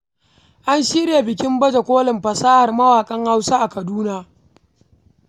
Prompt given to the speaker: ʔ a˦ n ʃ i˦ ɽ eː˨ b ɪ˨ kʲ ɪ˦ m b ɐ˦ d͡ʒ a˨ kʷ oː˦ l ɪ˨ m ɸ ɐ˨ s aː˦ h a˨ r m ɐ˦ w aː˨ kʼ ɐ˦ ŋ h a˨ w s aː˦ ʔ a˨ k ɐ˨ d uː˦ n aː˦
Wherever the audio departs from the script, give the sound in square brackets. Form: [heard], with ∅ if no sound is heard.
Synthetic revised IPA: ʔ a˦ n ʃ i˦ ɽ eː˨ b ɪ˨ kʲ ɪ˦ m b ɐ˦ d͡ʒ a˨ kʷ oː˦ l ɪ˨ m ɸ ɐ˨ s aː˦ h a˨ r m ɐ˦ w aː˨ kʼ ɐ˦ ŋ h [a˦] w s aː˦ ʔ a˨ k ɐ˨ d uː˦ n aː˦